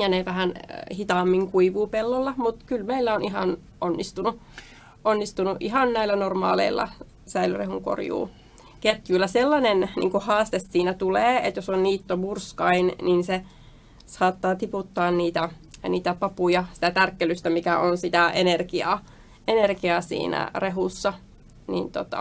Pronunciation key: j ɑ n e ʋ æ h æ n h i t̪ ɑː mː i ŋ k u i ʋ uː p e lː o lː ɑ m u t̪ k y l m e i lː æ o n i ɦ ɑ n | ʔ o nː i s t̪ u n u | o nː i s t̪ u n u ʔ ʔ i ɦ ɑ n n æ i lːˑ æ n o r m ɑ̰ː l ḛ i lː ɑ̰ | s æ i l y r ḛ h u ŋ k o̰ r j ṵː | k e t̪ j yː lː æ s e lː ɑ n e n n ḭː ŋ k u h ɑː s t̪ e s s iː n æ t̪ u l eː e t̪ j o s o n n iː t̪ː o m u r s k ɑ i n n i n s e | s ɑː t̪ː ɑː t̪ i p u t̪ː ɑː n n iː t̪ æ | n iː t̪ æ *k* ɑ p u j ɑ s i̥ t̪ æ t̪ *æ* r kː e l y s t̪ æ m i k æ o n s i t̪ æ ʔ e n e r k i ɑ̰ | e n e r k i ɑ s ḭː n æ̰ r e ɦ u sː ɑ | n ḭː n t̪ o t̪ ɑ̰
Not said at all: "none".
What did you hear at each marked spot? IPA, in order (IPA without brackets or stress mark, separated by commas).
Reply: p, æ